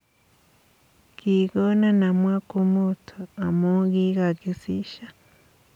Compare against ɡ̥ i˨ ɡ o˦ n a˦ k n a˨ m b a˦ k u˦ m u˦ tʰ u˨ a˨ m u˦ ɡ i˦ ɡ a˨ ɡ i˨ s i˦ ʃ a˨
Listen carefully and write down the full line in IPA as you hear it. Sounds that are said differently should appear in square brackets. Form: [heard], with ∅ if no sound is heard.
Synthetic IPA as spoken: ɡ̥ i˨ ɡ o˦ n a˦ [∅] n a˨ m [w] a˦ k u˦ m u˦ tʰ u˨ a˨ m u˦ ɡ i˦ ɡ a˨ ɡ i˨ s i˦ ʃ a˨